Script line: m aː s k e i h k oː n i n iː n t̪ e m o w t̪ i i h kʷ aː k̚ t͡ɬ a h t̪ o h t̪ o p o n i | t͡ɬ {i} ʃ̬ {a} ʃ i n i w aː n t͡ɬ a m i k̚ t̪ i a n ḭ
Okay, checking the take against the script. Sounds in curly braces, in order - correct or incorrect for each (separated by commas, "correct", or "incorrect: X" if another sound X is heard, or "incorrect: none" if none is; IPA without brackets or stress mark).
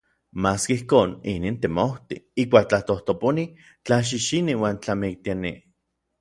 incorrect: a, incorrect: i